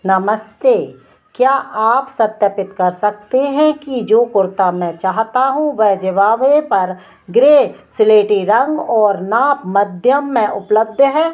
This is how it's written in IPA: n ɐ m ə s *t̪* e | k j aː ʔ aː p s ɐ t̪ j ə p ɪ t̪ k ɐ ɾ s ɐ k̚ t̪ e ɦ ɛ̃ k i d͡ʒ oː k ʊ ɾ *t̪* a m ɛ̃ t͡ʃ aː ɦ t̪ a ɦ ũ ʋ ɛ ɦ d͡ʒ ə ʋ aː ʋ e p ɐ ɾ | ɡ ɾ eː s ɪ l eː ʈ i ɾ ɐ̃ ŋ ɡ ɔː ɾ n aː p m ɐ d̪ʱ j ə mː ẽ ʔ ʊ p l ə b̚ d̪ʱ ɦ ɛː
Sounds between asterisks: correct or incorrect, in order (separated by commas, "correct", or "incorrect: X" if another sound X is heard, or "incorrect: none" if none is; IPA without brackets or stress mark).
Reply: correct, correct